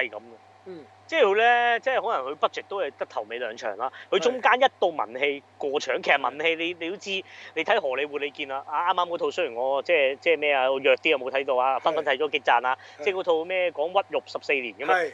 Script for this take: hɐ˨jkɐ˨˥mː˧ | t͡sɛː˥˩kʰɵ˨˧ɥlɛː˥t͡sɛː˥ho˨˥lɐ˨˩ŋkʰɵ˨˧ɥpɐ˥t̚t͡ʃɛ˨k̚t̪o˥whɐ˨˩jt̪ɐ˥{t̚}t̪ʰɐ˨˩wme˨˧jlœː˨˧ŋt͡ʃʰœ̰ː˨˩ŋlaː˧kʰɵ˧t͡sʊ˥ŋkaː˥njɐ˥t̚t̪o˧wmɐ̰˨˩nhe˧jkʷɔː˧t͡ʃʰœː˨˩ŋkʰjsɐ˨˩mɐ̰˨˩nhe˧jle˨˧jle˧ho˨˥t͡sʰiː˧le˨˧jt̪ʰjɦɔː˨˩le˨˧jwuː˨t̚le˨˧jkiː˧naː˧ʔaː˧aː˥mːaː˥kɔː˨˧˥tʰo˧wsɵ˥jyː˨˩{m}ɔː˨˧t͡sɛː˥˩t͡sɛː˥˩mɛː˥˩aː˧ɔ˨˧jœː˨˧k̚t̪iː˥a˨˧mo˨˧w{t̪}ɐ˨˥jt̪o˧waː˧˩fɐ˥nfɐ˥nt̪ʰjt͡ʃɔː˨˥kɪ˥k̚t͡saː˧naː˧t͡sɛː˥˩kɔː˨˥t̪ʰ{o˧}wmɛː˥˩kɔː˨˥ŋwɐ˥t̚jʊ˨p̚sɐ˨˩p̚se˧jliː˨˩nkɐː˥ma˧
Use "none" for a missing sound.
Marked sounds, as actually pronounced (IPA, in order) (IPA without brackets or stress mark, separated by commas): k̚, ŋ, t̪ʰ, o˧